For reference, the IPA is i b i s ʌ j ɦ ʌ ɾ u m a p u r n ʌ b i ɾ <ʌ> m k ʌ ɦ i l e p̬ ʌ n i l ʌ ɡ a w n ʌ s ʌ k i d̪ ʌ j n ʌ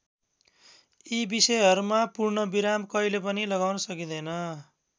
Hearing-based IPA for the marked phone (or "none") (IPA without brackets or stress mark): a